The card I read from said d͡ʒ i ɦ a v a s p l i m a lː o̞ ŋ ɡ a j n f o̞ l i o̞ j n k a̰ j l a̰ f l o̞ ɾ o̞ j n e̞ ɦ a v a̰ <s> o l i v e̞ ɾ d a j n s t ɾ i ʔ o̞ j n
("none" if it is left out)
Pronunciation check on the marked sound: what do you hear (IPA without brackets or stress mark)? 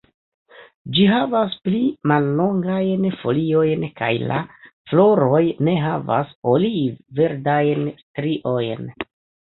s